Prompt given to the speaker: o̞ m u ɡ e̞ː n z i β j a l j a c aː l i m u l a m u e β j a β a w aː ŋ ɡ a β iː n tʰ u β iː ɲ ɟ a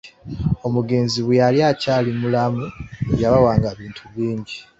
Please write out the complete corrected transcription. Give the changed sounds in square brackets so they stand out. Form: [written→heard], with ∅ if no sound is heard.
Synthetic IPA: o̞ m u ɡ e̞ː n z i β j a l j a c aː l i m u l a m u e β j a β a w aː ŋ ɡ a β iː n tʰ u β iː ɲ ɟ [a→i]